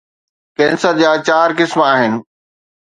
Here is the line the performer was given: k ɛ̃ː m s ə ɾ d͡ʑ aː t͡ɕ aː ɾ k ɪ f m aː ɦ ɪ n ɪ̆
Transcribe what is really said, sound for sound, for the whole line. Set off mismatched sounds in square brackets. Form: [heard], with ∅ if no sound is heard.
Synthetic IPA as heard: k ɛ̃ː [n] s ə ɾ d͡ʑ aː t͡ɕ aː ɾ k ɪ [s] m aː ɦ ɪ n ɪ̆